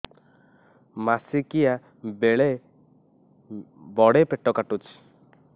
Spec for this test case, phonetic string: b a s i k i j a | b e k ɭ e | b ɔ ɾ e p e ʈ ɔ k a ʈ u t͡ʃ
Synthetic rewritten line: m a s i k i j a | b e ɭ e | b ɔ ɽ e p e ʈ ɔ k a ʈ u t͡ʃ